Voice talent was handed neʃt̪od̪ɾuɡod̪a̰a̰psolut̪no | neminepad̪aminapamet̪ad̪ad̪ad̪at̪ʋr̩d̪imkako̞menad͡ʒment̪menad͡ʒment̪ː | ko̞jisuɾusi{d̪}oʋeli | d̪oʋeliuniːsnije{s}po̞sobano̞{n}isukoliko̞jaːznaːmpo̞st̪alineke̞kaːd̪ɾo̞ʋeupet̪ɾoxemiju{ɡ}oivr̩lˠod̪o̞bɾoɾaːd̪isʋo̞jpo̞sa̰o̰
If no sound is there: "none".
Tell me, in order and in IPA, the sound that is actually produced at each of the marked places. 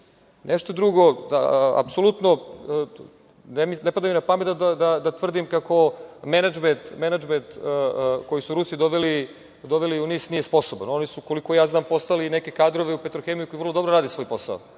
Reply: d̪, s, n, k

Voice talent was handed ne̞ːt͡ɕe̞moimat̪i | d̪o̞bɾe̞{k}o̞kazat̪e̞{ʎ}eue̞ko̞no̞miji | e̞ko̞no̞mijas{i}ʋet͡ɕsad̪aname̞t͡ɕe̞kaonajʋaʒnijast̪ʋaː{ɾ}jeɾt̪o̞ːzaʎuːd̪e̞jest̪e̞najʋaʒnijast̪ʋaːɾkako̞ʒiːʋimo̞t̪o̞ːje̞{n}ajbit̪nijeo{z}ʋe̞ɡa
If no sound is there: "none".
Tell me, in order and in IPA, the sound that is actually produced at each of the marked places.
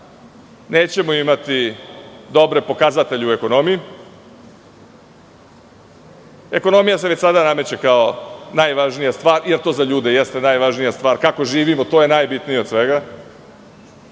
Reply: p, ʎ, e, ɾ, n, s

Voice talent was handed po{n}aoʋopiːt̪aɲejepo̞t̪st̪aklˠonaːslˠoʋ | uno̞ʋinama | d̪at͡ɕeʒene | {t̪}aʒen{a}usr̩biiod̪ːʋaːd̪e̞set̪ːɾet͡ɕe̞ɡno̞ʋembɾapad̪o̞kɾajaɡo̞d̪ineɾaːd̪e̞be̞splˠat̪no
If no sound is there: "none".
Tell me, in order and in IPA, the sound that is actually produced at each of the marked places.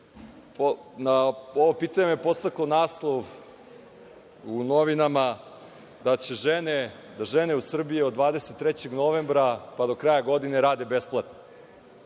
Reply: n, d̪, e

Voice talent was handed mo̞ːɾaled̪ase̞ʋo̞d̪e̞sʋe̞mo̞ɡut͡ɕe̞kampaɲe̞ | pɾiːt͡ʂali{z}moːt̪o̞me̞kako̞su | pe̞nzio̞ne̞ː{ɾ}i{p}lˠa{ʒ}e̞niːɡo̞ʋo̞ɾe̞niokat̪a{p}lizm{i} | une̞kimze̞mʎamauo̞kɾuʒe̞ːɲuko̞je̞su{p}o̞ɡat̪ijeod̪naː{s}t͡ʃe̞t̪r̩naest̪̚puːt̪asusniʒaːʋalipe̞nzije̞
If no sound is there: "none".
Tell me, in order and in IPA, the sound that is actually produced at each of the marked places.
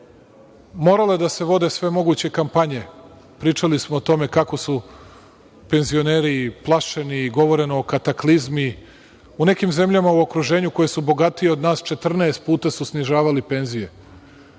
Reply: s, ɾ, p, ʃ, k, i, b, s

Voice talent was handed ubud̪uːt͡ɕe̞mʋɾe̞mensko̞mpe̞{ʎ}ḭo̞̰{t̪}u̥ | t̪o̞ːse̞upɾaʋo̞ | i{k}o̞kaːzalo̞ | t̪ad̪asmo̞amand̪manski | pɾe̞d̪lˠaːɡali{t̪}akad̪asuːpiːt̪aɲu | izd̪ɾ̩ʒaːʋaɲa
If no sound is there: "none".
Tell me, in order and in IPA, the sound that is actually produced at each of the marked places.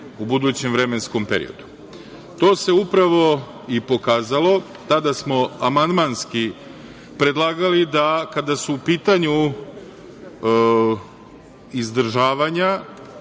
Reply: ɾ, d̪, p, d̪

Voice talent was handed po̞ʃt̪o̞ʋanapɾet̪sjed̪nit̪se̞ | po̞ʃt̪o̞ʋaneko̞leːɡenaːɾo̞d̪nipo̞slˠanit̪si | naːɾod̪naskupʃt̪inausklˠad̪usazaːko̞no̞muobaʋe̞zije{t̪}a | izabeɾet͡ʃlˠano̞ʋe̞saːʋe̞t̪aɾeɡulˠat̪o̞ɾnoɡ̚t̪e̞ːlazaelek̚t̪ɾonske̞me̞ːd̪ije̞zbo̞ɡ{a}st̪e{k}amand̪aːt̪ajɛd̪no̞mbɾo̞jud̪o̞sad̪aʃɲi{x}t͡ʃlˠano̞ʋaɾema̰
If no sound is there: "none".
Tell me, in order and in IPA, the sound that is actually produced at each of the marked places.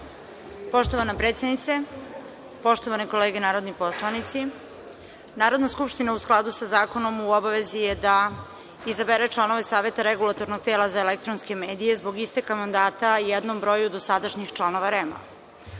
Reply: d̪, i, k, x

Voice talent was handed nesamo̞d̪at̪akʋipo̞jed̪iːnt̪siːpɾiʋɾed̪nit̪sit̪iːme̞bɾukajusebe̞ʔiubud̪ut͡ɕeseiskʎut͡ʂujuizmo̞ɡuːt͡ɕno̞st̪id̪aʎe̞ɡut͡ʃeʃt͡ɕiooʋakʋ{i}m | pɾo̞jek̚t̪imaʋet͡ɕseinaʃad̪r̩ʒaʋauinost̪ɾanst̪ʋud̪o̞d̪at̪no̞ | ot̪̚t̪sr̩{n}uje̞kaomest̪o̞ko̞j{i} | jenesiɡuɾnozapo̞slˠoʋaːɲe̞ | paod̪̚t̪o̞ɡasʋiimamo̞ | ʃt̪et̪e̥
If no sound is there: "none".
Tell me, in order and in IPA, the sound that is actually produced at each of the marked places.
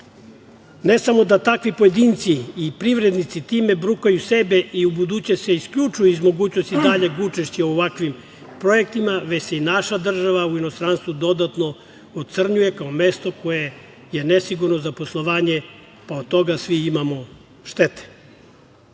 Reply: i, ɲ, e

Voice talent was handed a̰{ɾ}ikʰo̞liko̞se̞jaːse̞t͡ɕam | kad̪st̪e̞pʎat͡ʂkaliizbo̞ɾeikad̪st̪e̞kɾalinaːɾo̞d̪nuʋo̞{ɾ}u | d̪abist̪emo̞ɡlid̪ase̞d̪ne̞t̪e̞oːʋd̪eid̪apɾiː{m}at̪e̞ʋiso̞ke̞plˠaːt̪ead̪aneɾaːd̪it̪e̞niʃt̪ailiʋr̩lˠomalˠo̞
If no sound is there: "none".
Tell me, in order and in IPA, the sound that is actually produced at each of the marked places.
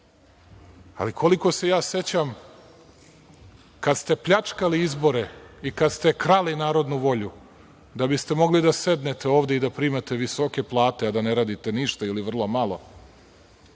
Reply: l, ʎ, m

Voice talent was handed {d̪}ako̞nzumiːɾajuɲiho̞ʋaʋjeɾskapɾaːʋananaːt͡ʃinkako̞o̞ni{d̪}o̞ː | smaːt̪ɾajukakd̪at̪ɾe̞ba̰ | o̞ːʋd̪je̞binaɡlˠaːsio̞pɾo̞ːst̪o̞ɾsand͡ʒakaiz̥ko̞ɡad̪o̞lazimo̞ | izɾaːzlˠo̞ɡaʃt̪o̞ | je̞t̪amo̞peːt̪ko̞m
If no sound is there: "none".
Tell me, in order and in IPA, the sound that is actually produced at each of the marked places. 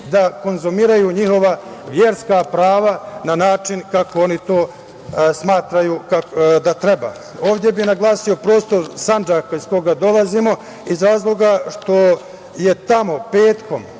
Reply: d̪, t̪

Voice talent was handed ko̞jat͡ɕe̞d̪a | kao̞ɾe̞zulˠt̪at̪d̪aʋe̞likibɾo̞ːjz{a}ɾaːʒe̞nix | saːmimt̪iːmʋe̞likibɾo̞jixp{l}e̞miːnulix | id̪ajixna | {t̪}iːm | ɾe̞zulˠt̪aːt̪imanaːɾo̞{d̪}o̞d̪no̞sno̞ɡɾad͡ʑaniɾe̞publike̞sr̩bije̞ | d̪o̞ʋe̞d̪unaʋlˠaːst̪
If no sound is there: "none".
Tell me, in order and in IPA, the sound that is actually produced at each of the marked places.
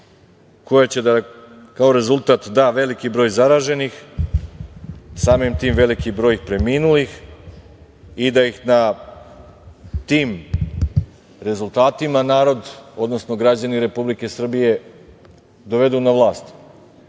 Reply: a, ɾ, t̪, d̪

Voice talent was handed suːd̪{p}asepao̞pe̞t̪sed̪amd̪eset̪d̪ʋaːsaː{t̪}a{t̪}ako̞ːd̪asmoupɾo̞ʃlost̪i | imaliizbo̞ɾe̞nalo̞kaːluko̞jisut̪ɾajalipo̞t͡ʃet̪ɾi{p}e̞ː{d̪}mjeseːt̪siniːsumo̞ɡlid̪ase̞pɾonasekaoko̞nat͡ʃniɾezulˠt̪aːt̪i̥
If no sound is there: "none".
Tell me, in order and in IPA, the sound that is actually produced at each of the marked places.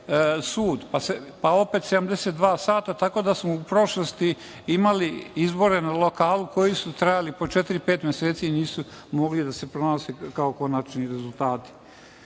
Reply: p, t̪, t̪, p, t̪

